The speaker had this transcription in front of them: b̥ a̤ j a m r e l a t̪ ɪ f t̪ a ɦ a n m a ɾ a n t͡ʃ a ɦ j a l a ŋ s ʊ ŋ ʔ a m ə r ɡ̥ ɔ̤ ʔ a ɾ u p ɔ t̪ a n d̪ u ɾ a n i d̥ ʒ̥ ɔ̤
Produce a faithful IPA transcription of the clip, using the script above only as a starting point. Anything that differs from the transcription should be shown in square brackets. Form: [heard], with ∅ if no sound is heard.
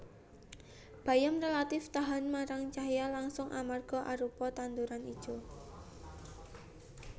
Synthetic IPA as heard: b̥ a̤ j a m r e l a t̪ ɪ f t̪ a ɦ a n m a ɾ a [ŋ] t͡ʃ a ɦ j a l a ŋ s ʊ ŋ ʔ a m [a] r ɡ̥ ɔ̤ ʔ a ɾ u p ɔ t̪ a n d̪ u ɾ a n i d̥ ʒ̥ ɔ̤